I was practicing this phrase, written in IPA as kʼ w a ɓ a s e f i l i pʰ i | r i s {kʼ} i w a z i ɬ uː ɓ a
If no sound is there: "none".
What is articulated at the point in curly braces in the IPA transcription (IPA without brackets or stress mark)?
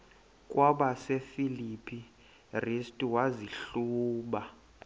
tʼ